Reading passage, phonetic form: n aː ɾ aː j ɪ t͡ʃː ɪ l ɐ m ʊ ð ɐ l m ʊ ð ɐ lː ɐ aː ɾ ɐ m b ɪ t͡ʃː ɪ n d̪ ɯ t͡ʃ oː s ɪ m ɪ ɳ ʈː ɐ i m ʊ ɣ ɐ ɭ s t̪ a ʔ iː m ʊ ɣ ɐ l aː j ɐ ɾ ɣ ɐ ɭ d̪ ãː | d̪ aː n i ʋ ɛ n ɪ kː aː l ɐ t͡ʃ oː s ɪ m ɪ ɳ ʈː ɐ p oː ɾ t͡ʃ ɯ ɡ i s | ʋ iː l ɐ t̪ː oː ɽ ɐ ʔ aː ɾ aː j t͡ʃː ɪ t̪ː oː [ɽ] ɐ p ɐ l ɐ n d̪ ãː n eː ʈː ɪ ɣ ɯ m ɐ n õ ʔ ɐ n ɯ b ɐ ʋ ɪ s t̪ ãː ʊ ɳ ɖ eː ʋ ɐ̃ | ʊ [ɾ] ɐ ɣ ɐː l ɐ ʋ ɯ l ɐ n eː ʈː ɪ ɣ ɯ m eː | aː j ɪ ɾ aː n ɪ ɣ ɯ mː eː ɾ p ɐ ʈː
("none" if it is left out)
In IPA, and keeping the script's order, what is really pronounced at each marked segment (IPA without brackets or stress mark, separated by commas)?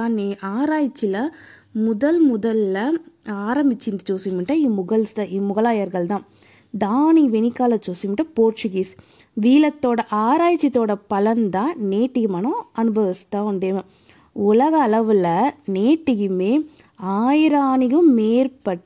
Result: ɽ, l